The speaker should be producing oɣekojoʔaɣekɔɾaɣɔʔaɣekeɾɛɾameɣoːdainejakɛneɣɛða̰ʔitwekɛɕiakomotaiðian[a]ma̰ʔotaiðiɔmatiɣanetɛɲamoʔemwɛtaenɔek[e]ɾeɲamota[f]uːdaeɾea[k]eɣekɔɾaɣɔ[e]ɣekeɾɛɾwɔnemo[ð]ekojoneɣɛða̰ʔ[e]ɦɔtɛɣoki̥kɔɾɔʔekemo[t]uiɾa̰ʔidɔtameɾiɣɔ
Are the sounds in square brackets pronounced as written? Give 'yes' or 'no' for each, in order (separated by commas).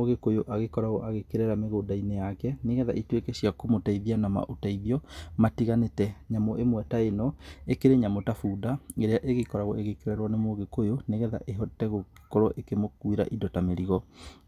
yes, yes, yes, no, yes, no, yes, no